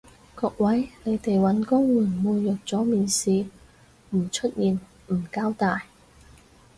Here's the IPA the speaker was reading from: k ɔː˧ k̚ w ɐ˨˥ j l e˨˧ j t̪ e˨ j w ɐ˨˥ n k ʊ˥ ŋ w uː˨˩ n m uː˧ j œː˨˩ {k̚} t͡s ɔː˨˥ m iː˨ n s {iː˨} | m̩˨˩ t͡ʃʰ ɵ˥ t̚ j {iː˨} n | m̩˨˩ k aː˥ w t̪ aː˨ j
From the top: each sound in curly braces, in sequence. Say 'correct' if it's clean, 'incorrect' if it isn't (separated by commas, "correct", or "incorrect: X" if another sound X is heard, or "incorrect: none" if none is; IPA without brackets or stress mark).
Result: correct, correct, correct